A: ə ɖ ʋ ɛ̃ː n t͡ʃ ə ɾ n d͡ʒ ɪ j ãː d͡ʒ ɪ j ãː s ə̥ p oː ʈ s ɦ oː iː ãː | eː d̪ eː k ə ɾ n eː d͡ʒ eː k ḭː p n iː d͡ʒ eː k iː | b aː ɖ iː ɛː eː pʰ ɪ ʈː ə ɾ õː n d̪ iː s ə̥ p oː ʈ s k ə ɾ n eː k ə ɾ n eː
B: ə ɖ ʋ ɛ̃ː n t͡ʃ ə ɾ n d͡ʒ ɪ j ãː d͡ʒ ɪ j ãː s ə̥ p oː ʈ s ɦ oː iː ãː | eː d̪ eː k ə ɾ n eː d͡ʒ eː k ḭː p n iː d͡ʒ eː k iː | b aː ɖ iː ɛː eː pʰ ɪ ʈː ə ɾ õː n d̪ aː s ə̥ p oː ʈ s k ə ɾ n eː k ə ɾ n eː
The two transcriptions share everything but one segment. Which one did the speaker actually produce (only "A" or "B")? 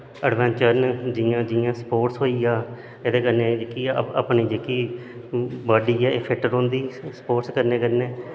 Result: A